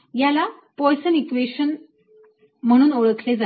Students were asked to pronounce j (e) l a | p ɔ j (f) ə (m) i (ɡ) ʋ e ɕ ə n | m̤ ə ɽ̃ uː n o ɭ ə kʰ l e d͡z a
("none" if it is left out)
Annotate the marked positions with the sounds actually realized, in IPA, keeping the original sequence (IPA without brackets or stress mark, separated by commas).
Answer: a, s, n, k